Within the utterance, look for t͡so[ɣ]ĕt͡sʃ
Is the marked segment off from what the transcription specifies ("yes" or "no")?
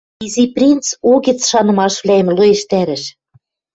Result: no